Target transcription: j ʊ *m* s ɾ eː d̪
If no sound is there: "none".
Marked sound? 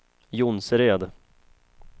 n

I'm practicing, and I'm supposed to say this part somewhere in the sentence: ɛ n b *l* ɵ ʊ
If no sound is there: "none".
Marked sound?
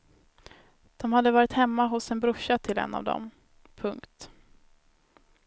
ɾ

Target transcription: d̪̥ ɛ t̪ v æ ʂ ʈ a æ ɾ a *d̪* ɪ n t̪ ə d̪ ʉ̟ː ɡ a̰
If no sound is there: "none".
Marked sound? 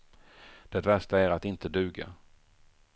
t̪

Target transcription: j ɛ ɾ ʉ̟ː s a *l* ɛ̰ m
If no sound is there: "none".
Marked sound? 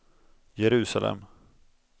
l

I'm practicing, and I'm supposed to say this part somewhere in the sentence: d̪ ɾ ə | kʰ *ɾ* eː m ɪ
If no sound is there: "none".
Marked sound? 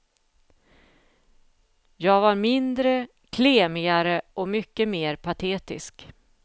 l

